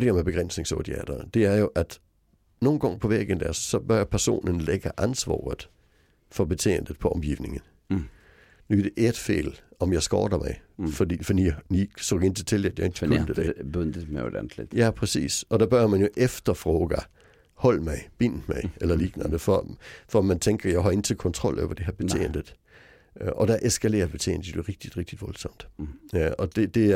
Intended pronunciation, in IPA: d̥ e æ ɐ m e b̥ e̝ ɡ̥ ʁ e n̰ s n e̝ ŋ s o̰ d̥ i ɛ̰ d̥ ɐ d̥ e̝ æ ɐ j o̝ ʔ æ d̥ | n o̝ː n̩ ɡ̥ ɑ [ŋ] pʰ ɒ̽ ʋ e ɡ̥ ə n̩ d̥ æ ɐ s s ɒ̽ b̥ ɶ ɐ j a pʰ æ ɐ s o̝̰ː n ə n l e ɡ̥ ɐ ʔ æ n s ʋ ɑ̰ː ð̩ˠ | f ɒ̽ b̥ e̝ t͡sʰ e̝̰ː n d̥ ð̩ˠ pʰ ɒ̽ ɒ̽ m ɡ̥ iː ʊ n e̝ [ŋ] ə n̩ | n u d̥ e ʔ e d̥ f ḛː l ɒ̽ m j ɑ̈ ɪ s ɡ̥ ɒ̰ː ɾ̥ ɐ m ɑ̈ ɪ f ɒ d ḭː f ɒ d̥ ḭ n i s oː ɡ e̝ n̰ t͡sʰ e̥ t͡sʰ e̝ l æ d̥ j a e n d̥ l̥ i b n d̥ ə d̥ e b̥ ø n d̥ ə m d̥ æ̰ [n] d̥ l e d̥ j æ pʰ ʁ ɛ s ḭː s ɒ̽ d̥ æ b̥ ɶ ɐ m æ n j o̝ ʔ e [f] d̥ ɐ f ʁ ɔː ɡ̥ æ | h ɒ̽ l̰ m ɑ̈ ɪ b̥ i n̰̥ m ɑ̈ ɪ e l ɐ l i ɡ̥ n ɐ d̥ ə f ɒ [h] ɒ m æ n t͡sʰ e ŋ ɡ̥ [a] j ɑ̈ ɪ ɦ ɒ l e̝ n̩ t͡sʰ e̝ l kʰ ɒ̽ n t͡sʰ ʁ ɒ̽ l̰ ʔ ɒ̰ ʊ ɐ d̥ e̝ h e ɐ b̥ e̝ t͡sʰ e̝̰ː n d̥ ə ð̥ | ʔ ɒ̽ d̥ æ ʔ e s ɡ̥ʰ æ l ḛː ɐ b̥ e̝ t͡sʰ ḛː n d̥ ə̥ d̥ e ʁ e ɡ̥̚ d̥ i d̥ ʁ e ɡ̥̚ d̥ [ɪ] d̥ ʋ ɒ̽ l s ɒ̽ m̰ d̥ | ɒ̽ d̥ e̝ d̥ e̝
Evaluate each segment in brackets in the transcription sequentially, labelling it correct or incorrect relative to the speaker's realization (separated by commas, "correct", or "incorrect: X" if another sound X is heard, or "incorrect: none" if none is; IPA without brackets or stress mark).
correct, correct, correct, correct, incorrect: f, incorrect: ɐ, incorrect: i